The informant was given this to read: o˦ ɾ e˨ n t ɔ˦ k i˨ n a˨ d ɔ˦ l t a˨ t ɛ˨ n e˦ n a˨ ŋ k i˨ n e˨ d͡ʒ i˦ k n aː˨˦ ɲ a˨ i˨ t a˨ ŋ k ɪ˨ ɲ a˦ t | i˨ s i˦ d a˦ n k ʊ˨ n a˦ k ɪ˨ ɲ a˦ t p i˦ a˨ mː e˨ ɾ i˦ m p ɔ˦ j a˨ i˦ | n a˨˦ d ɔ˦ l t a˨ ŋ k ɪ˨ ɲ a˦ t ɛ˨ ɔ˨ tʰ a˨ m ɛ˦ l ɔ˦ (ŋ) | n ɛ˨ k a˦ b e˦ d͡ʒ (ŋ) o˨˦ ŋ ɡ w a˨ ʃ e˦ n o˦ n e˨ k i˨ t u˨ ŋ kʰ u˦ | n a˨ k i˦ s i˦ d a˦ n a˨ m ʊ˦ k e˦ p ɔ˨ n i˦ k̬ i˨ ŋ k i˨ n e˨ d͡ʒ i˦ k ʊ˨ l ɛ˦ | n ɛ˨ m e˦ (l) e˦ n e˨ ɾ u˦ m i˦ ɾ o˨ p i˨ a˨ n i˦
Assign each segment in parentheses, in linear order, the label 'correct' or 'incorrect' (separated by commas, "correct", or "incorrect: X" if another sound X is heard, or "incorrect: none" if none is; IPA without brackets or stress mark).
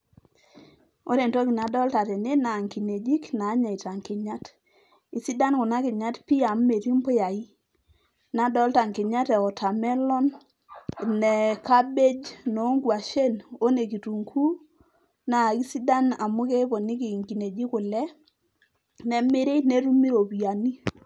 incorrect: n, incorrect: n, incorrect: ɾ